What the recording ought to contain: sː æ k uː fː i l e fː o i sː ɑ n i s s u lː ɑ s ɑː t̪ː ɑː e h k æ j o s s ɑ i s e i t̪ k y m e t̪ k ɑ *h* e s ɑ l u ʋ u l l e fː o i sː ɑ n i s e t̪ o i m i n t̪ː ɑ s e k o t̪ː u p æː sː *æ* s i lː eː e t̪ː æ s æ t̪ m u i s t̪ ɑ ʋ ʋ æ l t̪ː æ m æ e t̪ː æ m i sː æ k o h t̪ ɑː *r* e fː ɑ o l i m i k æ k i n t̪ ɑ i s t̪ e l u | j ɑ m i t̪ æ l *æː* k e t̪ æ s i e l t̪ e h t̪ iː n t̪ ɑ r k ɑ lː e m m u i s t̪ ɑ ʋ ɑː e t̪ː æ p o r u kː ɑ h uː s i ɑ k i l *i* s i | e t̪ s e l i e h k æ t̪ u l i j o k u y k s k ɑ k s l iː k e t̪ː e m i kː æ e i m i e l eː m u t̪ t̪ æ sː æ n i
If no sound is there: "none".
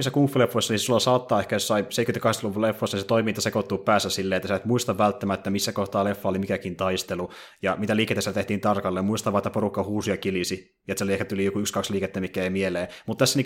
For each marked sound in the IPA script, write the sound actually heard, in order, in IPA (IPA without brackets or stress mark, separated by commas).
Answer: h, æ, l, iː, i